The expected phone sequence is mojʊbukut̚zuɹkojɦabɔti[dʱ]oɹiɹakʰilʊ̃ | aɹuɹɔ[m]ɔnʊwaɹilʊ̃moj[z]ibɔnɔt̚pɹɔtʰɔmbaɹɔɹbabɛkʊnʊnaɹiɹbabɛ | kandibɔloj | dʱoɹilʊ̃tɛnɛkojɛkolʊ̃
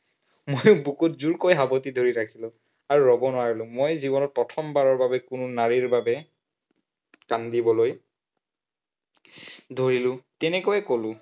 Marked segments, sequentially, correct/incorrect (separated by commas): correct, incorrect, correct